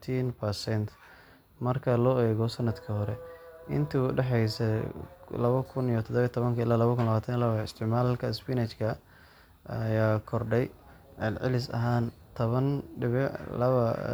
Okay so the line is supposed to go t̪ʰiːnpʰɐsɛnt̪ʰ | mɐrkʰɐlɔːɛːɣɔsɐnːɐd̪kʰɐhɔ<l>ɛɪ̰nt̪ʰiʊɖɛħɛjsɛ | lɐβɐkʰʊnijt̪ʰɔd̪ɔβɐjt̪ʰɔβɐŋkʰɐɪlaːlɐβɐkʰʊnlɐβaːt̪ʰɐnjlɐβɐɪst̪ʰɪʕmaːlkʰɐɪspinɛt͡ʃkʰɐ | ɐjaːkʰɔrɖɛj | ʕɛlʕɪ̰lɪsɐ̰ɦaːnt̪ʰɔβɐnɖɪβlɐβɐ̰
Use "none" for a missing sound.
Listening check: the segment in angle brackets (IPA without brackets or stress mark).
ɾ